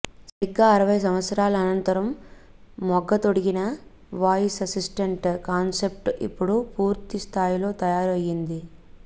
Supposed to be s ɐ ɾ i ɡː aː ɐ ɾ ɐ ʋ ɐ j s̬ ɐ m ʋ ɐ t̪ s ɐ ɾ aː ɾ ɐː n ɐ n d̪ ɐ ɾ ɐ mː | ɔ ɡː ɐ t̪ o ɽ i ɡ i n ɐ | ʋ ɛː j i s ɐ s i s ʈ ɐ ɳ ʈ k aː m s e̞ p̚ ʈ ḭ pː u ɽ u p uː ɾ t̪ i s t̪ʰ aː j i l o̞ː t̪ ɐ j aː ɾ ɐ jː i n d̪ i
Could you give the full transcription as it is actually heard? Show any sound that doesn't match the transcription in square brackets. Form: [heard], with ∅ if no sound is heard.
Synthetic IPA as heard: s ɐ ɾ i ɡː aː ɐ ɾ ɐ ʋ ɐ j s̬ ɐ m ʋ ɐ t̪ s ɐ ɾ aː [l] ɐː n ɐ n [t̪] ɐ ɾ ɐ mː | ɔ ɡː ɐ t̪ o ɽ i ɡ i n ɐ | ʋ [aː] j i s ɐ s i s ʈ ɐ ɳ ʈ k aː [n] s e̞ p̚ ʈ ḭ pː u ɽ u p uː ɾ t̪ i s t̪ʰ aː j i l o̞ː t̪ ɐ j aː ɾ ɐ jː i n d̪ i